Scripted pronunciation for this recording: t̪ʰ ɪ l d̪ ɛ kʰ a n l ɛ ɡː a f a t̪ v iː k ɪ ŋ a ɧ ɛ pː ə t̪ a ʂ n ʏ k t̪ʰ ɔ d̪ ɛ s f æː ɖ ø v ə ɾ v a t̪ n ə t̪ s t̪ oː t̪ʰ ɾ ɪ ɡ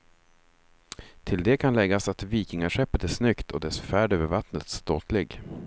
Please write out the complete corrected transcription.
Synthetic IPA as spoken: t̪ʰ ɪ l d̪ ɛ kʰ a n l ɛ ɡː a s a t̪ v iː k ɪ ŋ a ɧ ɛ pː ə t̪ æ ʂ n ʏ k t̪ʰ ɔ d̪ ɛ s f æː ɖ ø v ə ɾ v a t̪ n ə t̪ s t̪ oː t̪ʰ l ɪ ɡ